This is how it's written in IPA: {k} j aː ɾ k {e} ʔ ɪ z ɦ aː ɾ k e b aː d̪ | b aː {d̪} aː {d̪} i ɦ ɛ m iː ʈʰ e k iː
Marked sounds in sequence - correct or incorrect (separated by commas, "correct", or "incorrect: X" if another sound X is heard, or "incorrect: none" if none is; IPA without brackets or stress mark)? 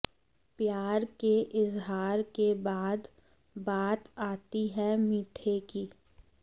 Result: incorrect: p, correct, incorrect: t̪, incorrect: t̪